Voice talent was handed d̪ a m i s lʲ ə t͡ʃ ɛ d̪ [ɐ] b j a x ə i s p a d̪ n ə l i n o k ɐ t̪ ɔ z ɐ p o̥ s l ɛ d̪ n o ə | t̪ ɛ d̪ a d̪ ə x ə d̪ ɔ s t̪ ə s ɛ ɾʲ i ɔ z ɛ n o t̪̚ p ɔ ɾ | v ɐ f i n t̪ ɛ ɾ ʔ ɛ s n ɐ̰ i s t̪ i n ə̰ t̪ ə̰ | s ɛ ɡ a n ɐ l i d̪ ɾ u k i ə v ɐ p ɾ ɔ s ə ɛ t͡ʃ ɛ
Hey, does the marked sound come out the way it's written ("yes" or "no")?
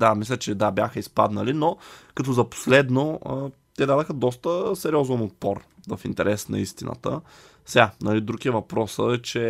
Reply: no